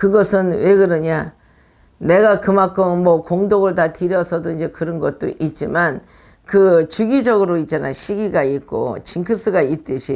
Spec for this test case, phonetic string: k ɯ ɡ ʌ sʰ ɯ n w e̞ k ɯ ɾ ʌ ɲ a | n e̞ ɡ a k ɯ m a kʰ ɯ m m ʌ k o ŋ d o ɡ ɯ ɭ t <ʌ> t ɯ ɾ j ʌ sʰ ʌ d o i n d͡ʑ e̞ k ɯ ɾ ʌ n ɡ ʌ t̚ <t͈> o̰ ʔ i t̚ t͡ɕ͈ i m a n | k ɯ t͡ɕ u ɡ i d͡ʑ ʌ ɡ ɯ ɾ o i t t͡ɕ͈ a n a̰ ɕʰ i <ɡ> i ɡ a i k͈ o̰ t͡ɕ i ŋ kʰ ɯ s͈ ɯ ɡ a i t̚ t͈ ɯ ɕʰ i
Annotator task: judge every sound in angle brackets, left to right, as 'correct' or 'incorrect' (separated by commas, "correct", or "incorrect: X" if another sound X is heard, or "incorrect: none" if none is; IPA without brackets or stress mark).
incorrect: a, correct, correct